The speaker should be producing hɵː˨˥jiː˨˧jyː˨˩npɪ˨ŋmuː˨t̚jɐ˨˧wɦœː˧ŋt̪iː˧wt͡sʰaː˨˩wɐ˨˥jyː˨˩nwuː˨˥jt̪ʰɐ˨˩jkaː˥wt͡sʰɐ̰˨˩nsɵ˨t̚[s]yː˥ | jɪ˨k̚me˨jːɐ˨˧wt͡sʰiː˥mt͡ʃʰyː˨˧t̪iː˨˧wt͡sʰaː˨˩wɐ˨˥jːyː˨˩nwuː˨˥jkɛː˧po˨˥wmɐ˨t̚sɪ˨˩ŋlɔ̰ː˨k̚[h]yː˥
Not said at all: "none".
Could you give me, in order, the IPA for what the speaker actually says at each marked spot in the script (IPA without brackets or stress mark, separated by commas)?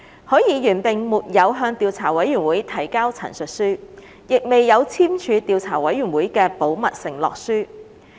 s, s